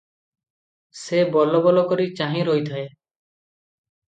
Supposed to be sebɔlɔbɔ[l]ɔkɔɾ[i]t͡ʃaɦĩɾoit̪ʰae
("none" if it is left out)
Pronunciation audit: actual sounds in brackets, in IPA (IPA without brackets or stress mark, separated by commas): l, i